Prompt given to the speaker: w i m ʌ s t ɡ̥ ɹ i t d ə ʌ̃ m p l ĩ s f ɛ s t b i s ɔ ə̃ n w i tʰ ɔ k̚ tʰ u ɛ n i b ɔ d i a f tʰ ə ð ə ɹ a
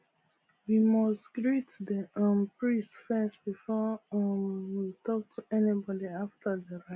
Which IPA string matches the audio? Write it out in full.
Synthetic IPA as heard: w i m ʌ s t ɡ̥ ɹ i t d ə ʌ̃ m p ɹ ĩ s f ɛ s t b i f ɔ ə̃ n w i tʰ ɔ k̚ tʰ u ɛ n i b ɔ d i a f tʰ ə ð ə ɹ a